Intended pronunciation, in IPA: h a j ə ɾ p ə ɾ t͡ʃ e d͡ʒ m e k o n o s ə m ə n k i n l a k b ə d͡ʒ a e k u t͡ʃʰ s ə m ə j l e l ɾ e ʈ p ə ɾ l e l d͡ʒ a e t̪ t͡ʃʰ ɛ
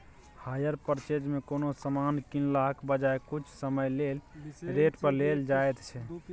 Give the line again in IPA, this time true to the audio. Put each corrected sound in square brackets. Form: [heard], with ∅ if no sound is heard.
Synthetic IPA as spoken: h a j ə ɾ p ə ɾ t͡ʃ e d͡ʒ m e k o n o s ə m [a] n k i n l a k b ə d͡ʒ a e k u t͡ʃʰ s ə m ə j l e l ɾ e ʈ p ə ɾ l e l d͡ʒ a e t̪ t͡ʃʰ ɛ